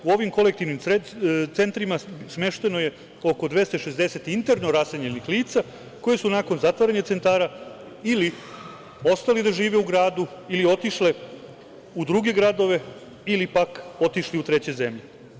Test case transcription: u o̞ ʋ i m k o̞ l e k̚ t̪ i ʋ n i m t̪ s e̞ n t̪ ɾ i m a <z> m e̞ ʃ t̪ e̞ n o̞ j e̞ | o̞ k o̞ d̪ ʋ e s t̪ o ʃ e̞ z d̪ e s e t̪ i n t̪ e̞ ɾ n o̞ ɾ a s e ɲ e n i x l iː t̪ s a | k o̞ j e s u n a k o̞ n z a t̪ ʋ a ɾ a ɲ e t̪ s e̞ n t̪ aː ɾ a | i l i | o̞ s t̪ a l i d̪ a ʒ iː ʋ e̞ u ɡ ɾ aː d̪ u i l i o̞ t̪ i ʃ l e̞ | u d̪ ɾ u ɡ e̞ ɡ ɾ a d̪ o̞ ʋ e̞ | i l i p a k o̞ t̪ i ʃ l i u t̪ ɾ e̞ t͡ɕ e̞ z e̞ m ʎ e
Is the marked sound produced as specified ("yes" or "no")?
no